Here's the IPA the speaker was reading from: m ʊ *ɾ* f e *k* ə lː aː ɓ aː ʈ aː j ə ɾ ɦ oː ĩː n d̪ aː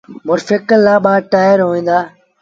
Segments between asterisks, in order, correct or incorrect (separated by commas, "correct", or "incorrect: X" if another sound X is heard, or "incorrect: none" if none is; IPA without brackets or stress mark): correct, correct